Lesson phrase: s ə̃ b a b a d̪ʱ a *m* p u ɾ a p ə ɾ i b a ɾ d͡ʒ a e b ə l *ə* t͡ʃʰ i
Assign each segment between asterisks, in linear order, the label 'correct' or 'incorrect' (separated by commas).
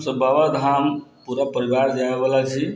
correct, incorrect